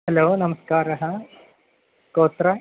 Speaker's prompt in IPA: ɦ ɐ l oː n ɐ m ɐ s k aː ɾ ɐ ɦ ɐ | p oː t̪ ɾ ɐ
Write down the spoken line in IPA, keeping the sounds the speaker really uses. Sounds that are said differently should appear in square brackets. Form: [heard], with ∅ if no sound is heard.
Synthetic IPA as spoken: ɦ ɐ l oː n ɐ m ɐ s k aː ɾ ɐ ɦ ɐ | [k] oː t̪ ɾ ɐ

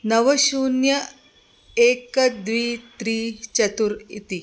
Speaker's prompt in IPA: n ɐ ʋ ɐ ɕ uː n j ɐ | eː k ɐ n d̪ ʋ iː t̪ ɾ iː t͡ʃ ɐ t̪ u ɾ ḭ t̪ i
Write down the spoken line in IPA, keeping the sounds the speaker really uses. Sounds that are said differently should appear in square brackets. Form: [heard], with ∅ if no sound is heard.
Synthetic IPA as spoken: n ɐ ʋ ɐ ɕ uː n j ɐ | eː k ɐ [∅] d̪ ʋ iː t̪ ɾ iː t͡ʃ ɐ t̪ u ɾ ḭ t̪ i

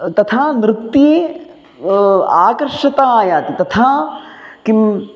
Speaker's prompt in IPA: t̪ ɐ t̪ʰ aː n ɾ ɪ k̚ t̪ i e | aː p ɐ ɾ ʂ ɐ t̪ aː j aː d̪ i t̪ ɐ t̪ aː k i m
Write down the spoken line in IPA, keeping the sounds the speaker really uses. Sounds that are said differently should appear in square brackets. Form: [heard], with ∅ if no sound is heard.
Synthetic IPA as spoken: t̪ ɐ t̪ʰ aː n ɾ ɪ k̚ t̪ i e | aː [k] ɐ ɾ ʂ ɐ t̪ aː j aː [t̪] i t̪ ɐ [t̪ʰ] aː k i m

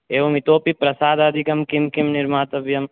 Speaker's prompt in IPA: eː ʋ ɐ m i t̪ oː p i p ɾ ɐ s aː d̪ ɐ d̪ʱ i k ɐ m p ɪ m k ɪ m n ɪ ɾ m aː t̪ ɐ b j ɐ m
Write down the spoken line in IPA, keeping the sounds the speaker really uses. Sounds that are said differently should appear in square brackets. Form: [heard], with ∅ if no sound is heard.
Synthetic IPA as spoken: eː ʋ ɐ m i t̪ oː p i p ɾ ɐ s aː d̪ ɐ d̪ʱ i k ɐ m [k] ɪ m k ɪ m n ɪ ɾ m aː t̪ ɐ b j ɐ m

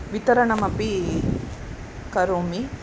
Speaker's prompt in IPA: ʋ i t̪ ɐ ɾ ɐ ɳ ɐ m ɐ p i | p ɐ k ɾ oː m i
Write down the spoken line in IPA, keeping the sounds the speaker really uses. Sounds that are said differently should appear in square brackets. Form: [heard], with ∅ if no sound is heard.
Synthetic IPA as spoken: ʋ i t̪ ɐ ɾ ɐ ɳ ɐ m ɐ p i | [k] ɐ [∅] ɾ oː m i

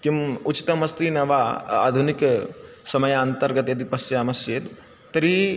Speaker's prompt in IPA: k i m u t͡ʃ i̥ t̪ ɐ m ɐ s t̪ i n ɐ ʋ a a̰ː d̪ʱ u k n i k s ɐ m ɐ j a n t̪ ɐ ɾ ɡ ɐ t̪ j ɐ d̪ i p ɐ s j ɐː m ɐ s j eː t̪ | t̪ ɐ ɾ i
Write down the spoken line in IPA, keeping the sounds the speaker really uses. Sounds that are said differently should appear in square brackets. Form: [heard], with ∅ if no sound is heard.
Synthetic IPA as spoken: k i m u t͡ʃ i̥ t̪ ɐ m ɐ s t̪ i n ɐ ʋ a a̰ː d̪ʱ u [∅] n i k s ɐ m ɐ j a n t̪ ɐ ɾ ɡ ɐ t̪ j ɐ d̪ i p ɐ s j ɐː m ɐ s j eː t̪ | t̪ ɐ ɾ i

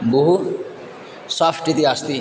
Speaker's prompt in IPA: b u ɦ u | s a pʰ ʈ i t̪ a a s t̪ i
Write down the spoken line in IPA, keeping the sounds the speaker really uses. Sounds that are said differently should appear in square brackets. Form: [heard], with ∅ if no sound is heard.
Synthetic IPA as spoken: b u ɦ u | s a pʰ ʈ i t̪ [i] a s t̪ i

